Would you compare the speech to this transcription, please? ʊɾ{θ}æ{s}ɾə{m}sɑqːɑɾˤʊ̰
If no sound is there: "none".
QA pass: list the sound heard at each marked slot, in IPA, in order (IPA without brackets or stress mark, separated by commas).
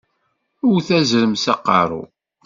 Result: θ, z, m